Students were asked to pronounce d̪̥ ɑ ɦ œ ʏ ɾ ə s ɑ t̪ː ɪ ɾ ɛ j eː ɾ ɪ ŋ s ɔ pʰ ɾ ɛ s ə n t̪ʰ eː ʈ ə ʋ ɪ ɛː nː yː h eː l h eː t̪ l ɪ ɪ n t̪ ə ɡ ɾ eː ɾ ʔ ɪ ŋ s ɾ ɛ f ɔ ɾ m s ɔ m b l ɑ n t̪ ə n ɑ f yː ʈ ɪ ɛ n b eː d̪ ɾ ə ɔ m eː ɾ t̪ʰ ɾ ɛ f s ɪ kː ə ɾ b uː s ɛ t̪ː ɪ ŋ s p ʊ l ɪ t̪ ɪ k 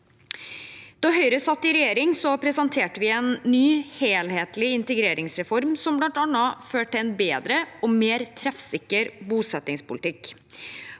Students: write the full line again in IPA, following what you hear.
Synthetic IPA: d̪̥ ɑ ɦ œ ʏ ɾ ə s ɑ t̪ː ɪ ɾ ɛ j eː ɾ ɪ ŋ s ɔ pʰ ɾ ɛ s ɑ n t̪ʰ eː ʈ ə ʋ ɪ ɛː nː yː h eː l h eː t̪ l ɪ ɪ n t̪ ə ɡ ɾ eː ɾ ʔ ɪ ŋ s ɾ ɛ f ɔ ɾ m s ɔ m b l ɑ n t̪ ɑ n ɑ f øː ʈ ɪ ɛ n b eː d̪ ɾ ə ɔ m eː ɾ t̪ʰ ɾ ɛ f s ɪ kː ə ɾ b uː s ɛ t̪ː ɪ ŋ s p ʊ l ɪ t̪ ɪ k